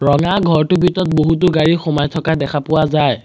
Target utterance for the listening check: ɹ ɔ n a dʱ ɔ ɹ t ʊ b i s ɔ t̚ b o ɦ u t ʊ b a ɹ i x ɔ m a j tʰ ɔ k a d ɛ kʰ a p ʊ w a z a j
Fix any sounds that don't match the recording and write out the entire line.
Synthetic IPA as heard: ɹ ɔ ŋ a ɡʱ ɔ ɹ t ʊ b i t ɔ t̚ b o ɦ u t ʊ ɡ a ɹ i x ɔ m a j tʰ ɔ k a d ɛ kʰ a p ʊ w a z a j